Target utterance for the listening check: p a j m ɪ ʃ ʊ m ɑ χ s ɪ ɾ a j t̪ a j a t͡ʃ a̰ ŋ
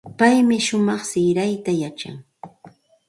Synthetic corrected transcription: p a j m ɪ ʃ ʊ m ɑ χ s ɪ ɾ a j t̪ a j a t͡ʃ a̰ ŋ